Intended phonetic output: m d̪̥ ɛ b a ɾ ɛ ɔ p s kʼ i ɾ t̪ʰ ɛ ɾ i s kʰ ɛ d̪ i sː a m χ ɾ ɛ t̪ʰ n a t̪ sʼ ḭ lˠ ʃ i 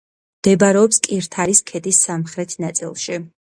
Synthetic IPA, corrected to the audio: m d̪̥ ɛ b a ɾ ɛ ɔ p s kʼ i ɾ t̪ʰ a ɾ i s kʰ ɛ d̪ i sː a m χ ɾ ɛ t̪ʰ n a t̪ sʼ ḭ lˠ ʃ i